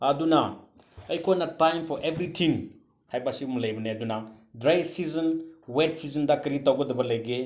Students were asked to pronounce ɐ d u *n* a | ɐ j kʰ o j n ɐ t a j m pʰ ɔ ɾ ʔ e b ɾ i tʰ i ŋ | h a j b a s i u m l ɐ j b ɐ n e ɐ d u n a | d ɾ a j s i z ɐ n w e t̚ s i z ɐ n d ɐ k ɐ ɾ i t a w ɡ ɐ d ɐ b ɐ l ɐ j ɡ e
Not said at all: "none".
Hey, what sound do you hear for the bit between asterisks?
n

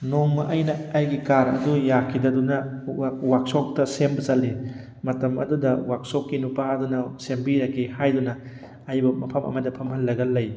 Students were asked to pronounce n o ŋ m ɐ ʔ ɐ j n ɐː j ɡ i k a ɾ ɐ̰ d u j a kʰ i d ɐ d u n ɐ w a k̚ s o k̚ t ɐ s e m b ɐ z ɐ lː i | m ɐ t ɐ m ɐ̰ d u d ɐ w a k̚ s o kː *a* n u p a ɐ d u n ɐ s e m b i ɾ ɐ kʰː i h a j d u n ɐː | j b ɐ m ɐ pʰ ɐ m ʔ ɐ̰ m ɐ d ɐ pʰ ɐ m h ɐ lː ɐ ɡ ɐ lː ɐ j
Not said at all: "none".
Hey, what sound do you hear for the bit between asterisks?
i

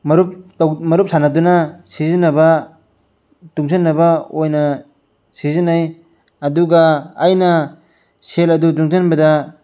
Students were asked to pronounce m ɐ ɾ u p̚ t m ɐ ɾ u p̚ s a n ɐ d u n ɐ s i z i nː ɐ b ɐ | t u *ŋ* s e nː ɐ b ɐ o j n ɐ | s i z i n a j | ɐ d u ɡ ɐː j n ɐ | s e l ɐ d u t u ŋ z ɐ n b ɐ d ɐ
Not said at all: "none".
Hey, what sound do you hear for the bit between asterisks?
ŋ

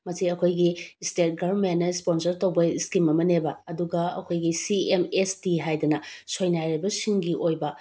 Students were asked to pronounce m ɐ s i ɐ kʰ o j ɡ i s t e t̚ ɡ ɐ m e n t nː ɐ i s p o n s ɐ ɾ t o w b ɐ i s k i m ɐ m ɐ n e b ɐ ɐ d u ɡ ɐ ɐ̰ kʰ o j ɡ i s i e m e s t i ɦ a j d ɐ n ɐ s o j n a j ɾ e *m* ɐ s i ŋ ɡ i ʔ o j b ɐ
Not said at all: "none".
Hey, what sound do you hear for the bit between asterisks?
b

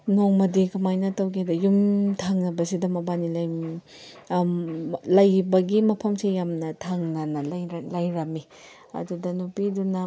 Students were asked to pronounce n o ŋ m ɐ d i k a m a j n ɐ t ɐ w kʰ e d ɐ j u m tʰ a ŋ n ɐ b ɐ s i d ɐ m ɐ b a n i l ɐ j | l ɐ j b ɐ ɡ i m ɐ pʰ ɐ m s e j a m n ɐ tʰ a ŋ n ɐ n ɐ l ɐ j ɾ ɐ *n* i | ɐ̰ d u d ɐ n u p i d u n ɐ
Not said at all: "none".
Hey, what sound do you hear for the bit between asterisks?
m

